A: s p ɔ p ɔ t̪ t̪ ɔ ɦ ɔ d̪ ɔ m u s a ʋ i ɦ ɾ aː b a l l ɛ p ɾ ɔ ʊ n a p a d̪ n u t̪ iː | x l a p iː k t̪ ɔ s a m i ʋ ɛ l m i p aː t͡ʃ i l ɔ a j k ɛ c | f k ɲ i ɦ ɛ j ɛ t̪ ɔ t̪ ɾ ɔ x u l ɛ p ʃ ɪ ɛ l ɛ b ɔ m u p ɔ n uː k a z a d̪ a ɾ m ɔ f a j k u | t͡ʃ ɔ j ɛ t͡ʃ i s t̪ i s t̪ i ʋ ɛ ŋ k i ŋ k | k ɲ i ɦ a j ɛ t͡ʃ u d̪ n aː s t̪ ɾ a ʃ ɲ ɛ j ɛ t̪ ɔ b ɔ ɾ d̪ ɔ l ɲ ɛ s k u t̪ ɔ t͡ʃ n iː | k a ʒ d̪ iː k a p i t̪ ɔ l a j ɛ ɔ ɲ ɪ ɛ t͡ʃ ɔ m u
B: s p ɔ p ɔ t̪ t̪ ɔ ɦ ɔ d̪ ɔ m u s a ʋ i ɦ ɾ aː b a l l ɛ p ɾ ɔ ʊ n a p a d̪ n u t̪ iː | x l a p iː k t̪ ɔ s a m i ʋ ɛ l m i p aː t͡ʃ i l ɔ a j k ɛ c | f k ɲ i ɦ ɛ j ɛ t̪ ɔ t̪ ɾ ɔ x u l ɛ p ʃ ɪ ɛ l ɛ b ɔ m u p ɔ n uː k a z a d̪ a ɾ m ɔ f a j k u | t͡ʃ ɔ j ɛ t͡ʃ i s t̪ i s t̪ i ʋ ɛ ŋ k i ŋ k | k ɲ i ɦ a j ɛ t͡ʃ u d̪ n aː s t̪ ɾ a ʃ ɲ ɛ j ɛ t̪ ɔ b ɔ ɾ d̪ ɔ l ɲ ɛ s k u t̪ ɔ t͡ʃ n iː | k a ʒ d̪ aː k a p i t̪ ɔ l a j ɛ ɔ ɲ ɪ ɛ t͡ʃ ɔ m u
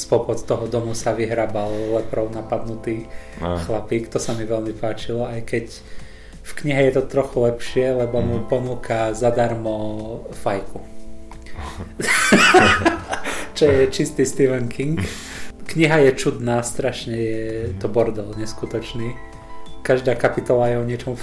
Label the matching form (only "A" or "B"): B